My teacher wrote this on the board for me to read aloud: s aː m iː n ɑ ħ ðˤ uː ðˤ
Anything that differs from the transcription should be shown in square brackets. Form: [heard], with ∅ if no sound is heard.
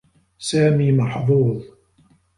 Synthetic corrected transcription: s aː m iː [m] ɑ ħ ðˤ uː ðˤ